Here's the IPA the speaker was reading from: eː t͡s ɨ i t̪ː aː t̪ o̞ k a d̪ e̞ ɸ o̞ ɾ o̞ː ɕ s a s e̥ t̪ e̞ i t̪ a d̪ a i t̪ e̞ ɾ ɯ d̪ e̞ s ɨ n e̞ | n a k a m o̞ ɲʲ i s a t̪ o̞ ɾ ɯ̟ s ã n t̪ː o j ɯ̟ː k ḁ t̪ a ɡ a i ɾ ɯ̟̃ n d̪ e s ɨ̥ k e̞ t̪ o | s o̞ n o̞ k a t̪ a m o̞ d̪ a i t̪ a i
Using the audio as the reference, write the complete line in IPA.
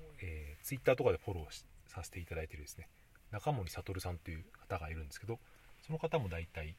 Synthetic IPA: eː t͡s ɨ i t̪ː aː t̪ o̞ k a d̪ e̞ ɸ o̞ ɾ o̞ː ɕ s a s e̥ t̪ e̞ i t̪ a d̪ a i t̪ e̞ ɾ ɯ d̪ e̞ s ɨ n e̞ | n a k a m o̞ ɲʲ i s a t̪ o̞ ɾ ɯ̟ s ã n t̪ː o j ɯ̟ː k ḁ t̪ a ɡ a i ɾ ɯ̟̃ n d̪ e s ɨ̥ k e̞ d̪ o | s o̞ n o̞ k a t̪ a m o̞ d̪ a i t̪ a i